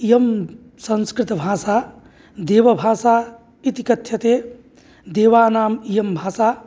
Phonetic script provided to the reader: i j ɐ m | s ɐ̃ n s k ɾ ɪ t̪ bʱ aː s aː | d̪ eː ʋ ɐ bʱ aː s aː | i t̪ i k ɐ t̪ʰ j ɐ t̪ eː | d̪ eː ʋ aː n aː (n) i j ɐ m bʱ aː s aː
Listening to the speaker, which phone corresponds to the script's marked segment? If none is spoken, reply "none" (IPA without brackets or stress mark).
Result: m